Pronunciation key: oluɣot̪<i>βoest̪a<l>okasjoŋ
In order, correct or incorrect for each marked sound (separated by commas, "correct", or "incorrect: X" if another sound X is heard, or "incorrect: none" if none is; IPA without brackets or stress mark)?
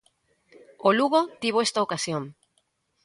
correct, incorrect: none